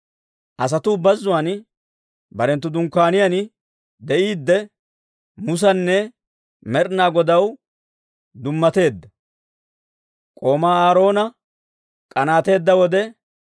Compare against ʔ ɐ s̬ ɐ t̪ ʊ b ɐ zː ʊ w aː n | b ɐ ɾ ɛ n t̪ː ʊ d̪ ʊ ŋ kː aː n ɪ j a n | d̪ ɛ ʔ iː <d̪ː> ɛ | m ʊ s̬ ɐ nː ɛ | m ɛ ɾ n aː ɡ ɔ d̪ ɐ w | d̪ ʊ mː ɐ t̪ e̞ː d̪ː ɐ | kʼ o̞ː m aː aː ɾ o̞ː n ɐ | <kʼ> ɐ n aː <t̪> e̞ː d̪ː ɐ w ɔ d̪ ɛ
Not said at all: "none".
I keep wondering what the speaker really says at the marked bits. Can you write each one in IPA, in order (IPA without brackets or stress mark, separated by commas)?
d̪ː, kʼ, t̪